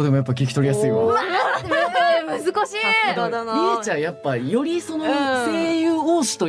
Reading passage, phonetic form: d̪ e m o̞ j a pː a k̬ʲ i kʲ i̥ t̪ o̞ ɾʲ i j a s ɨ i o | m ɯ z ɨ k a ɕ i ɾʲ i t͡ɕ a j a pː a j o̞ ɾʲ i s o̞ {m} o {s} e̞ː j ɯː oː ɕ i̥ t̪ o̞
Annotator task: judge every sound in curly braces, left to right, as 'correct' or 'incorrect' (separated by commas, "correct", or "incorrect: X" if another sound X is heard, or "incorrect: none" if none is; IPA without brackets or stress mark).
incorrect: n, correct